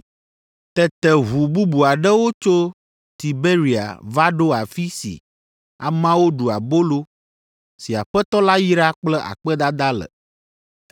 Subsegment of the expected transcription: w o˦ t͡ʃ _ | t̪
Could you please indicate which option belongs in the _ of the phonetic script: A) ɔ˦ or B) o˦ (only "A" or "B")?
B